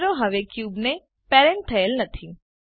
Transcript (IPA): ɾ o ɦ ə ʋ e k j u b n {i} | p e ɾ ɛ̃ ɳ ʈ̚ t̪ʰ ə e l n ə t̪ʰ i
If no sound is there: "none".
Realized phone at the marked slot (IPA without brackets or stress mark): e